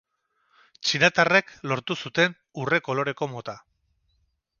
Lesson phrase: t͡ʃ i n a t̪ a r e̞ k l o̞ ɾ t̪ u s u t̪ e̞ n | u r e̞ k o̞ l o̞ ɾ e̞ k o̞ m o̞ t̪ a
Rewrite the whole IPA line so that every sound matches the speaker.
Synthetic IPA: t͡ʃ i n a t̪ a r e̞ k l o̞ ɾ t̪ u s u t̪ e̞ n | u r e̞ k o̞ l o̞ ɾ e̞ k o̞ m o̞ t̪ a